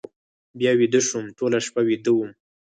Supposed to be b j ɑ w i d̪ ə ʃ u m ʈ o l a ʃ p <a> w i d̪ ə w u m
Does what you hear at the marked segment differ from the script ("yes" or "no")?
no